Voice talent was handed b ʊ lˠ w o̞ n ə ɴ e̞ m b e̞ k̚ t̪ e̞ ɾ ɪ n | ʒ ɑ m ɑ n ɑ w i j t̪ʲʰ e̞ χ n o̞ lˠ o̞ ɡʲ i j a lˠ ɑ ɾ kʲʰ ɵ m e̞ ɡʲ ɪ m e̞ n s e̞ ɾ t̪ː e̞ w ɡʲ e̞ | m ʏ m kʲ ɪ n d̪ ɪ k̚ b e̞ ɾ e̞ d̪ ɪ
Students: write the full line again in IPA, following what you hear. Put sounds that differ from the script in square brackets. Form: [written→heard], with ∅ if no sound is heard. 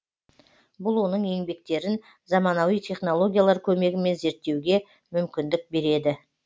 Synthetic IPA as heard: b ʊ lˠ w o̞ n ə ɴ e̞ [m→ŋ] b e̞ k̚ t̪ e̞ ɾ ɪ n | [ʒ→z] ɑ m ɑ n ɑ w i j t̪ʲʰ e̞ χ n o̞ lˠ o̞ ɡʲ i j a lˠ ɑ ɾ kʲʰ ɵ m e̞ ɡʲ ɪ m e̞ n [s→z] e̞ ɾ t̪ː e̞ w ɡʲ e̞ | m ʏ m kʲ ɪ n d̪ ɪ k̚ b e̞ ɾ e̞ d̪ ɪ